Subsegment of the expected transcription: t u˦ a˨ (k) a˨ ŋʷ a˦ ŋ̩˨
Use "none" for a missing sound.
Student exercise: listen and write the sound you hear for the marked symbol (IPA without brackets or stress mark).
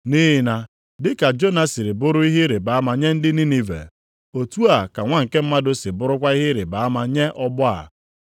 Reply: k